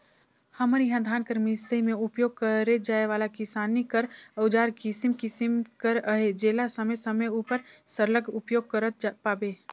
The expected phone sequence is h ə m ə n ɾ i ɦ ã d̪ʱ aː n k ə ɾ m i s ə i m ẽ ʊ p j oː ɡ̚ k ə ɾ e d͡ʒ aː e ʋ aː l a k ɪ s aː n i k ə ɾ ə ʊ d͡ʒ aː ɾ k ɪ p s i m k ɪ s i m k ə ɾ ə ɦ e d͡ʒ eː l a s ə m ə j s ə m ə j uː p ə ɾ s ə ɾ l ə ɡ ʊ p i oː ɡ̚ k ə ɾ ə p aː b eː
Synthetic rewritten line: h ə m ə ɾ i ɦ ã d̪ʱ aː n k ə ɾ m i s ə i m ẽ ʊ p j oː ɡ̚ k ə ɾ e d͡ʒ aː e ʋ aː l a k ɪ s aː n i k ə ɾ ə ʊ d͡ʒ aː ɾ k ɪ s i m k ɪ s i m k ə ɾ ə ɦ e d͡ʒ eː l a s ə m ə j s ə m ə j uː p ə ɾ s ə ɾ l ə ɡ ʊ p j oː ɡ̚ k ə ɾ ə p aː b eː